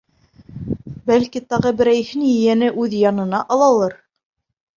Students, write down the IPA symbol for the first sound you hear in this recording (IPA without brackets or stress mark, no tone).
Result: b